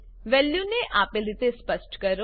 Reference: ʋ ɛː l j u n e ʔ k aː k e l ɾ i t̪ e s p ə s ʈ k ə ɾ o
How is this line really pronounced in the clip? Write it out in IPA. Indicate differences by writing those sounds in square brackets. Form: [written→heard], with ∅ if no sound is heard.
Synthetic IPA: ʋ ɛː l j u n e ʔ [k→ʔ] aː [k→p] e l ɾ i t̪ e s p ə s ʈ k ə ɾ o

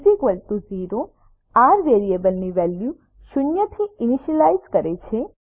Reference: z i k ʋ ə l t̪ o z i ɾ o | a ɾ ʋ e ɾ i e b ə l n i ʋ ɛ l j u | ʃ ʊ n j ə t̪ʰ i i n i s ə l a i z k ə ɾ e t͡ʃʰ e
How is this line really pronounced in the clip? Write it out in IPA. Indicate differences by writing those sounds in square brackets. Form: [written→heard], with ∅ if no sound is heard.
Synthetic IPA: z i k ʋ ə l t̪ [o→u] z i ɾ o | a ɾ ʋ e ɾ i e b ə l n i ʋ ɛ l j u | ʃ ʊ n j ə t̪ʰ i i n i [s→ʃ] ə l a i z k ə ɾ e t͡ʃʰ e

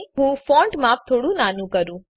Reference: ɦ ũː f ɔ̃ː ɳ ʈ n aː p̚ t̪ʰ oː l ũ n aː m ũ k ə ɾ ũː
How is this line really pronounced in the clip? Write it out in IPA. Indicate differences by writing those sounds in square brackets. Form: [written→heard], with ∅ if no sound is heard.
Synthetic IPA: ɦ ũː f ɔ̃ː ɳ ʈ [n→m] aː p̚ t̪ʰ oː [l→ɽ] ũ n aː [m→n] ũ k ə ɾ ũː

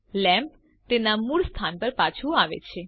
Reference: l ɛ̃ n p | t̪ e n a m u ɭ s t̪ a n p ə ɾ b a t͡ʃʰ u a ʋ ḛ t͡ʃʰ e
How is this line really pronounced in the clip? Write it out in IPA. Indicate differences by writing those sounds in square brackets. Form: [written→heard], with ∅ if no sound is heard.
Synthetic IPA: l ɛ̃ [n→m] p | t̪ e n a m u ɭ s [t̪→t̪ʰ] a n p ə ɾ [b→p] a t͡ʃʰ u a ʋ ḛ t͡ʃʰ e

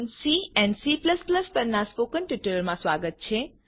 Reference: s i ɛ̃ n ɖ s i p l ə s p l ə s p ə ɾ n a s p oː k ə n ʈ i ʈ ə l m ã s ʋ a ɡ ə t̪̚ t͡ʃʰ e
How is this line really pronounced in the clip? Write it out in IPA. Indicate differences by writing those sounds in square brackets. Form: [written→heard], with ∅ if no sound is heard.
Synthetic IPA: s i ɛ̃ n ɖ s i p l ə s p l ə s p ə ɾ n a s p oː k ə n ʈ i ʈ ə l m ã s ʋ a ɡ ə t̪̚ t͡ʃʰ e

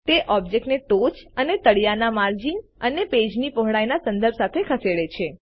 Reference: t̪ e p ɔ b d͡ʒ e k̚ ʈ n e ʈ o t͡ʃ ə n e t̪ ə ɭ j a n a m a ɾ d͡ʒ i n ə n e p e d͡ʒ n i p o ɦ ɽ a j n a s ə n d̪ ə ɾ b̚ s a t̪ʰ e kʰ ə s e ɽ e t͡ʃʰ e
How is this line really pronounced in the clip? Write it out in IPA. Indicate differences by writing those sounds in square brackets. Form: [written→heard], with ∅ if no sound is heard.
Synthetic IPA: t̪ e [p→ʔ] ɔ b d͡ʒ e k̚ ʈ n e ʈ o t͡ʃ ə n e t̪ ə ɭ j a n a m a ɾ d͡ʒ i n ə n e p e d͡ʒ n i p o ɦ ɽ a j n a s ə n d̪ ə ɾ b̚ s a t̪ʰ e kʰ ə s e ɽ e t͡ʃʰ e

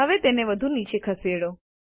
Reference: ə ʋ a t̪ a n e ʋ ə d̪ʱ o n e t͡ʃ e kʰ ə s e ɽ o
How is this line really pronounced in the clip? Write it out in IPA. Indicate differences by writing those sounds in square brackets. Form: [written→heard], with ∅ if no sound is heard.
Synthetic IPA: ə ʋ [a→e] t̪ [a→e] n e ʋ ə d̪ʱ [o→u] n [e→i] t͡ʃ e kʰ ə s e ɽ o

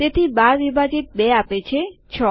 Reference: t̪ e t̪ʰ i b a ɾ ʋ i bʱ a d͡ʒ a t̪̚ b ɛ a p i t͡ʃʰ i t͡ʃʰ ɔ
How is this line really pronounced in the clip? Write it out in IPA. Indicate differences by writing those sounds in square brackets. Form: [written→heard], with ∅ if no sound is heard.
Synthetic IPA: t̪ e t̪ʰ i b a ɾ ʋ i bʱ a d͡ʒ [a→i] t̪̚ b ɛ a p [i→e] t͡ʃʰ [i→e] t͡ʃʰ ɔ

